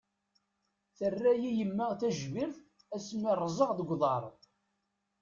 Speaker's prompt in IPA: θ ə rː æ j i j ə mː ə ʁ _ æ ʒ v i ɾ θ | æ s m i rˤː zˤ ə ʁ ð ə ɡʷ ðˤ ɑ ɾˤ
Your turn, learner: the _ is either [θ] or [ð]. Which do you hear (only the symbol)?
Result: θ